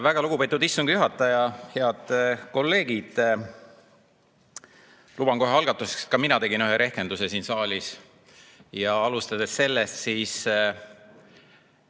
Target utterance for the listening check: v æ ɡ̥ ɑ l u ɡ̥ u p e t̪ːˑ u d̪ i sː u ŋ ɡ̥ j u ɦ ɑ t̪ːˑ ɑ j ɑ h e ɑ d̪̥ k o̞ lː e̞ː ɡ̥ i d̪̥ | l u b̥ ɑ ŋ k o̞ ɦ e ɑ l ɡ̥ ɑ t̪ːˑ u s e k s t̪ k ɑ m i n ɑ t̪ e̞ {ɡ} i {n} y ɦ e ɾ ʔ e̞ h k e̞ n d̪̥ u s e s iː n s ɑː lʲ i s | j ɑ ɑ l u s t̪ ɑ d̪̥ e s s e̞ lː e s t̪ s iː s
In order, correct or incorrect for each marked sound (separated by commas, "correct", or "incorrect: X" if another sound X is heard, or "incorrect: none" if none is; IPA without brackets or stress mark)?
correct, correct